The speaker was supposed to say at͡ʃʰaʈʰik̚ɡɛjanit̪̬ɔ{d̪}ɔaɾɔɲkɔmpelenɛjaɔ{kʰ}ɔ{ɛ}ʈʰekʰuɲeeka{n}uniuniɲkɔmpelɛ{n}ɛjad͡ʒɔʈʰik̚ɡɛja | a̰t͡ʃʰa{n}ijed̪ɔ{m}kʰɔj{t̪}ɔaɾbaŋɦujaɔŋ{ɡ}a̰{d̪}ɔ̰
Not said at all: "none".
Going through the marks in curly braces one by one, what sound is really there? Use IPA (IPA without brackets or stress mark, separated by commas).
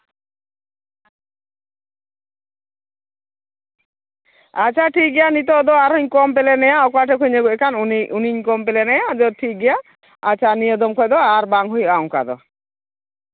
d̪, k, a, n, n, n, m, d̪, k, d̪